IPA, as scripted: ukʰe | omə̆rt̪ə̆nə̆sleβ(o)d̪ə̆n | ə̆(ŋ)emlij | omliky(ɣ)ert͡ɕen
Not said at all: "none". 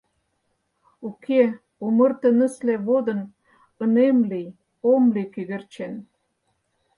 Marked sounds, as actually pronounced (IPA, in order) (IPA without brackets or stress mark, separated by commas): o, n, ɣ